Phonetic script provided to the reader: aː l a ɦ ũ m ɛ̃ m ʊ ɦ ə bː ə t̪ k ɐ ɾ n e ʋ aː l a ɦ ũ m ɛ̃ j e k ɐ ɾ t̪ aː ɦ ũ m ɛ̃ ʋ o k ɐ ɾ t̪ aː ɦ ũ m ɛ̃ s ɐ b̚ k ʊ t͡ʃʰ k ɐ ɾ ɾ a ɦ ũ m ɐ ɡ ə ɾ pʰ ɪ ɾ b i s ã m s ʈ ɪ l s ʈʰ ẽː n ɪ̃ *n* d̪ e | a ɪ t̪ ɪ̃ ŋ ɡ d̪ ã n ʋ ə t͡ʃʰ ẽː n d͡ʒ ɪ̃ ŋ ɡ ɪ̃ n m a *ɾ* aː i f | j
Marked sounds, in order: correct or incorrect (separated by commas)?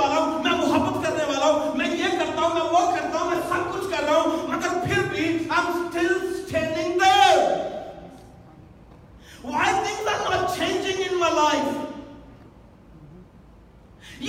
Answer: incorrect, incorrect